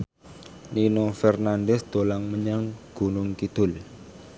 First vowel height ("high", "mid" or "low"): high